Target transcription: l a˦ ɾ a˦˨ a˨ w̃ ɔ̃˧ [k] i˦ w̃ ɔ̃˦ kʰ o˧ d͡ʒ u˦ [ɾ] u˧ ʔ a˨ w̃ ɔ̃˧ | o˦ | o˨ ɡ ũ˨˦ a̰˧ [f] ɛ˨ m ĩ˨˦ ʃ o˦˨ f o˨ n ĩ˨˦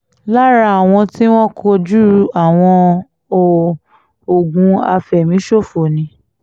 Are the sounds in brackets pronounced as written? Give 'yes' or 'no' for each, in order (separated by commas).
no, yes, yes